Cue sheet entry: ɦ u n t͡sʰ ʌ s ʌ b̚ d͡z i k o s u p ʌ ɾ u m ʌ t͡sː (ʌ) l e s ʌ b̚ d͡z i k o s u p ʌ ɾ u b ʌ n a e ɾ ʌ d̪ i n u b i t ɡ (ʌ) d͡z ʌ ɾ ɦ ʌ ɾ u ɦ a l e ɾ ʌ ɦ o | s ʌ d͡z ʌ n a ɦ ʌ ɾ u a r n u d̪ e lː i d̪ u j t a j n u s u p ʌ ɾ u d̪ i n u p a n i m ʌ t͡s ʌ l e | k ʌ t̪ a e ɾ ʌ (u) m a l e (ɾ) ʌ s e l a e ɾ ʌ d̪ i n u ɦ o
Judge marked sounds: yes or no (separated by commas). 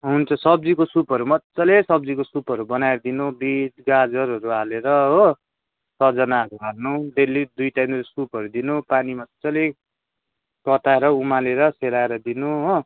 yes, no, yes, yes